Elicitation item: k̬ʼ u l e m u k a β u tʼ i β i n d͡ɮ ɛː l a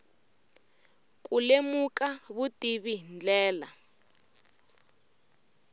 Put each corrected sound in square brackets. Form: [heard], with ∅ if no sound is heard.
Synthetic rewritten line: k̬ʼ u l e m u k a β u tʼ i β i n d͡ɮ ɛː l a